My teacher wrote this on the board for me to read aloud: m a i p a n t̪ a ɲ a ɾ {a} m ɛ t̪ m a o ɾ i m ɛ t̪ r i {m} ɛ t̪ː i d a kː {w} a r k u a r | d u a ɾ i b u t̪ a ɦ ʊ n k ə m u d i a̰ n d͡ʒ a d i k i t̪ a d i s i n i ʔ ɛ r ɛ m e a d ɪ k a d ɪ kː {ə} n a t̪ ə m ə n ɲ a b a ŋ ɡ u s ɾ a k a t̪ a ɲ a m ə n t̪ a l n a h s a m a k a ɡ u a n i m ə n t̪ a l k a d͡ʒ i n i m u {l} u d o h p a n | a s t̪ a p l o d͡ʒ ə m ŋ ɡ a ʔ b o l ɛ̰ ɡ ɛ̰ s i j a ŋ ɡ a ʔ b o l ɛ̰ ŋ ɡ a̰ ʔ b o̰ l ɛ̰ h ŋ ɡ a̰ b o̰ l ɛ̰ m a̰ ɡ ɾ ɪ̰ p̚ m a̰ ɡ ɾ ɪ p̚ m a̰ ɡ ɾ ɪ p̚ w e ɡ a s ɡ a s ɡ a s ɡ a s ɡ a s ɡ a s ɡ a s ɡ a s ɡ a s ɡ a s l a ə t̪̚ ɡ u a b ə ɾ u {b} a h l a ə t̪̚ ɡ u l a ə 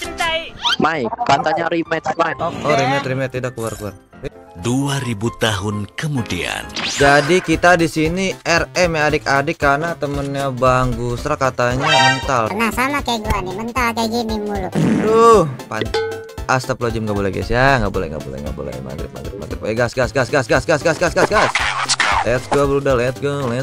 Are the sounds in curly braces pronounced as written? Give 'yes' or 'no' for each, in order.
no, yes, no, no, yes, no

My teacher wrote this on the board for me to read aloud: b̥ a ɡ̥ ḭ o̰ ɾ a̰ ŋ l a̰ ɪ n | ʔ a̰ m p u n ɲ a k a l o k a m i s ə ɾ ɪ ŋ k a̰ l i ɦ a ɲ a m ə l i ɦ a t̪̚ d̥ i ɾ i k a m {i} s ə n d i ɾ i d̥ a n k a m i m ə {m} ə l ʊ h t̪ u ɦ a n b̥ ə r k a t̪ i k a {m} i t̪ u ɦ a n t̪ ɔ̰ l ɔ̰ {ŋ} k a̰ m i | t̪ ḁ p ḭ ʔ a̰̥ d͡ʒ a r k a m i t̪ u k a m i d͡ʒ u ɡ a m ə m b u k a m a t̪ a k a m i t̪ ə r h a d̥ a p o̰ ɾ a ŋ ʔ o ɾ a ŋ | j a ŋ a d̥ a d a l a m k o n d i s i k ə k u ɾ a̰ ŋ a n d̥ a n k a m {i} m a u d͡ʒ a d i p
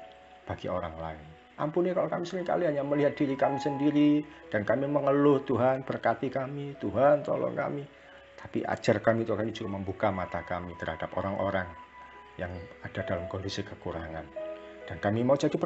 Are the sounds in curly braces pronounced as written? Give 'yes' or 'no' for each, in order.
yes, no, yes, yes, yes

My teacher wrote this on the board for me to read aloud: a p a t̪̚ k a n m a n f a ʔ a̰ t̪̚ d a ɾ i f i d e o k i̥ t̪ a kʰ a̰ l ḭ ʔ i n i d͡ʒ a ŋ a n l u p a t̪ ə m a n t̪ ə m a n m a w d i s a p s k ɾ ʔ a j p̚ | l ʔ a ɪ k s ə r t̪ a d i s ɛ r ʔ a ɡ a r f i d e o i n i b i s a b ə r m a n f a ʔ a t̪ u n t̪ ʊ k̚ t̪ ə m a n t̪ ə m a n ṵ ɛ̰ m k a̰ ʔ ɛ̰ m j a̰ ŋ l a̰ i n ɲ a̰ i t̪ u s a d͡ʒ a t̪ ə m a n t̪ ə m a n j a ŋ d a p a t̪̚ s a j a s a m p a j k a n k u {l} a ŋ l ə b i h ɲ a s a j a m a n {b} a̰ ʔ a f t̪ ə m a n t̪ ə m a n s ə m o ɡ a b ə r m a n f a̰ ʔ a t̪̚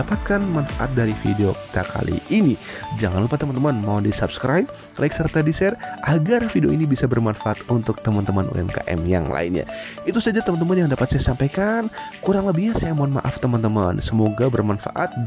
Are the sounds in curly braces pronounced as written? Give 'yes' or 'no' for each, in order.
no, no

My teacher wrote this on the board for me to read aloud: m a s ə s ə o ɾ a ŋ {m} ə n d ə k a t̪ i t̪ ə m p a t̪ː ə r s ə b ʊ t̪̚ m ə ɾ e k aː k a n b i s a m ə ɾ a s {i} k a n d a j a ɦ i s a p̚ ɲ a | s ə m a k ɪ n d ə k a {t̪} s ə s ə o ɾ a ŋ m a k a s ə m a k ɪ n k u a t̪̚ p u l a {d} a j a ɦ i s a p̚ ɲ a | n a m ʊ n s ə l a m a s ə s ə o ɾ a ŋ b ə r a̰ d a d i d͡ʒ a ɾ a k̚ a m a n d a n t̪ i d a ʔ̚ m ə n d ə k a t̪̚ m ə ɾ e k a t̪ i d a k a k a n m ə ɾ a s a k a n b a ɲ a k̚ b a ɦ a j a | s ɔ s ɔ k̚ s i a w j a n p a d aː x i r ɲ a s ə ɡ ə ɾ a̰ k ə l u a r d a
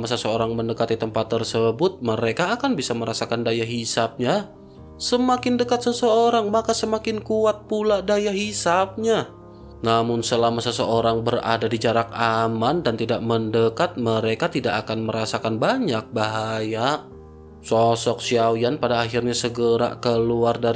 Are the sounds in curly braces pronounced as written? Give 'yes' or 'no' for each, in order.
yes, no, yes, yes

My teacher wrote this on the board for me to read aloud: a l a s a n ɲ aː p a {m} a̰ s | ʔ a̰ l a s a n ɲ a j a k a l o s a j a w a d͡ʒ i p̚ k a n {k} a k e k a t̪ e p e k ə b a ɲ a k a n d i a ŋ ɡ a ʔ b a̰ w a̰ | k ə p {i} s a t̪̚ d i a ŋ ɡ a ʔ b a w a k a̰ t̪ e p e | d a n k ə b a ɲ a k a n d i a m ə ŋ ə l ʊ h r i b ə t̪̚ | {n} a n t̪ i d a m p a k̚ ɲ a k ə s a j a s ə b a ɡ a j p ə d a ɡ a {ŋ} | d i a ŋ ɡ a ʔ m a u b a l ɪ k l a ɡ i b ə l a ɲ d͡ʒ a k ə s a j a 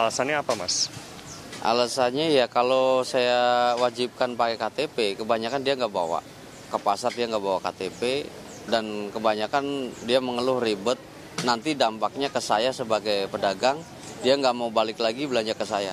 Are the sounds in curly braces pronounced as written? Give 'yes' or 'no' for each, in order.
yes, no, no, yes, yes

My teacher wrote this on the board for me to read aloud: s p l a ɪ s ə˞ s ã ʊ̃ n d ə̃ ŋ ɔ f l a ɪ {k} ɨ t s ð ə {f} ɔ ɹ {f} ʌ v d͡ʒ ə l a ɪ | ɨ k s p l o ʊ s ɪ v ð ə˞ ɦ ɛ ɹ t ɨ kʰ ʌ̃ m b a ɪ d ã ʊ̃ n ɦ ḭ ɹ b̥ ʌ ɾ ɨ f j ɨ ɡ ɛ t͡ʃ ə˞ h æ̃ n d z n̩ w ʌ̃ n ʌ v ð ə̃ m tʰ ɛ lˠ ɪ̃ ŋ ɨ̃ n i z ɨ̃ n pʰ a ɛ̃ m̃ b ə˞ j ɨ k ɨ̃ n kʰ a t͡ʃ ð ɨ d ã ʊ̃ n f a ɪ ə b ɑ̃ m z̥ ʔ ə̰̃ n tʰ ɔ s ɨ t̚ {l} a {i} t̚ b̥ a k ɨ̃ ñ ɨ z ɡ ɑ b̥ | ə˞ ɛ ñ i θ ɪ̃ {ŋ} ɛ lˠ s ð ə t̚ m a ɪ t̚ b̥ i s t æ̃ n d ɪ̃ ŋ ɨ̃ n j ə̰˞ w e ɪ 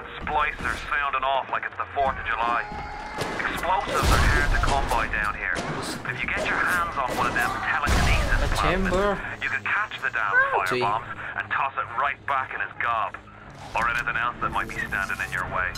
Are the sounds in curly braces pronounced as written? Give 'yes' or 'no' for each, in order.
yes, yes, no, no, no, yes

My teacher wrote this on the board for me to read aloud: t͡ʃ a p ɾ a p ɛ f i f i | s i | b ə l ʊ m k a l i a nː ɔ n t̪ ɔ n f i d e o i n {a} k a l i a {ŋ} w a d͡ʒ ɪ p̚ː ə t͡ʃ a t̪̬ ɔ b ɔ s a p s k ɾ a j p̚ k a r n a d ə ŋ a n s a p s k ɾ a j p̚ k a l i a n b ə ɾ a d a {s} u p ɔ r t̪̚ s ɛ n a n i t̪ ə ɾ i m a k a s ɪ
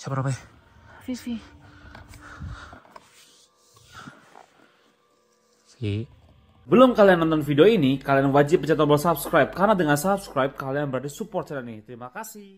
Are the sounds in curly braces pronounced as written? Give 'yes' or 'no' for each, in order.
no, no, yes

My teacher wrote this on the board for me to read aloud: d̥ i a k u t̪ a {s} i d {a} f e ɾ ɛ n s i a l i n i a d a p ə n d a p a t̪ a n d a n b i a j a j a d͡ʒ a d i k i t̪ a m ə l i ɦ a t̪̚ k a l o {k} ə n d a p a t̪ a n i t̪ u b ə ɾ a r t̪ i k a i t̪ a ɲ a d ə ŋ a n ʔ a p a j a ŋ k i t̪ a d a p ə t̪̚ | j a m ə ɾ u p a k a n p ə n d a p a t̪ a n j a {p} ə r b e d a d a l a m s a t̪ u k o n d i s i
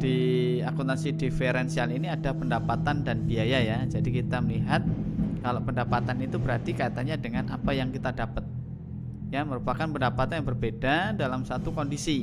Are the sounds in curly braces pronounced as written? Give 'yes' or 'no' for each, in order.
yes, no, no, no

